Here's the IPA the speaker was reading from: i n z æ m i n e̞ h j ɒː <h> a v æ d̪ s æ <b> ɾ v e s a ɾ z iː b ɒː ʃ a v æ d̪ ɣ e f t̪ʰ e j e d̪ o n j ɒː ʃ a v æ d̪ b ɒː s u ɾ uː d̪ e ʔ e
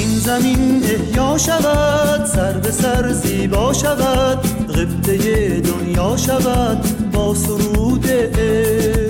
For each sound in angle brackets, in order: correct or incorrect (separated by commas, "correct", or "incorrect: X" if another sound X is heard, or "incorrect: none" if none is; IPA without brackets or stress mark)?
incorrect: ʃ, incorrect: none